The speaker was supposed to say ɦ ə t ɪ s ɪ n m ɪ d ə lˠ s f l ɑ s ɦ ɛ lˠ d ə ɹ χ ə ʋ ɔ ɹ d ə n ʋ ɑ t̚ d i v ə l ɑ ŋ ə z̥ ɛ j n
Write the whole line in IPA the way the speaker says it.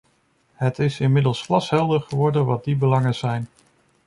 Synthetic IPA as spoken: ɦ ə t ɪ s ɪ n m ɪ d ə lˠ s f l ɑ s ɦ ɛ lˠ d ə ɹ χ ə ʋ ɔ ɹ d ə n ʋ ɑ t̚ d i b ə l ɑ ŋ ə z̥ ɛ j n